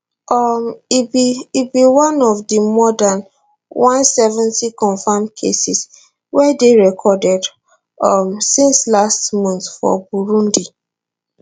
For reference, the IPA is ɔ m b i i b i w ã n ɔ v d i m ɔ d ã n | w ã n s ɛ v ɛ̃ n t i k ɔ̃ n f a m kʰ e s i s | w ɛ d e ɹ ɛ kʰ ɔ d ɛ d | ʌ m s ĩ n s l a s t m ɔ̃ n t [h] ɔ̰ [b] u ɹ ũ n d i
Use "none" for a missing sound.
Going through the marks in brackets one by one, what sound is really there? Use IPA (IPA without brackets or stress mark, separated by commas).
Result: f, b